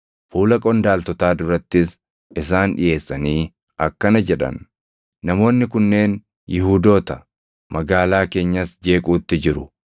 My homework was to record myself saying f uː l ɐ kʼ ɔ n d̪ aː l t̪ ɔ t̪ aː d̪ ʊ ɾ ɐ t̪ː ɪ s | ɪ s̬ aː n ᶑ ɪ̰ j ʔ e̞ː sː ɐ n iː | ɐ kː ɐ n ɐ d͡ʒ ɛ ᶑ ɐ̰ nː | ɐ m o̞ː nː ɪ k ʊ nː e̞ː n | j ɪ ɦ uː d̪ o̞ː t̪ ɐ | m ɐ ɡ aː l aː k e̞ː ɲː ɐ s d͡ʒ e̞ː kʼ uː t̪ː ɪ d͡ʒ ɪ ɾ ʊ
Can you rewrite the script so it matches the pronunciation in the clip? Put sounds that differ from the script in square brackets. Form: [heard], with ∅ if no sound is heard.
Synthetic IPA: f uː l ɐ kʼ ɔ n d̪ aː l t̪ ɔ t̪ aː d̪ ʊ ɾ ɐ t̪ː ɪ s | ɪ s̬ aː n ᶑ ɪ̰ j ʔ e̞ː sː ɐ n iː | ɐ kː ɐ n ɐ d͡ʒ ɛ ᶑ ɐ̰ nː | ɐ m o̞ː nː ɪ k ʊ nː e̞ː n | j ɪ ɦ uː d̪ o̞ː t̪ ɐ | m ɐ ɡ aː l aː k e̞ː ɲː ɐ s d͡ʒ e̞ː kʼ uː t̪ː ɪ d͡ʒ ɪ ɾ ʊ